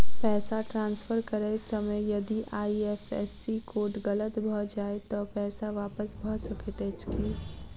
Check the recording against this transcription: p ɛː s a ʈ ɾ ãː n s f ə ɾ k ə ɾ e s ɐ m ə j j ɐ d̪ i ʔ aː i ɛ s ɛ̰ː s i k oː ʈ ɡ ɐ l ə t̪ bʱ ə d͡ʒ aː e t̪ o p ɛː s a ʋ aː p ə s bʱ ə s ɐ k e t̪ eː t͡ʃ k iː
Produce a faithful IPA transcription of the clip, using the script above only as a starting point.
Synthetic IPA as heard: p ɛː s a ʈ ɾ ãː n s f ə ɾ k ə ɾ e s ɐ m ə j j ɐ d̪ i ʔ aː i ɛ f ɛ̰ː s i k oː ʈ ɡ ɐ l ə t̪ bʱ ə d͡ʒ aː e t̪ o p ɛː s a ʋ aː p ə s bʱ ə s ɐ k e t̪ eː t͡ʃ k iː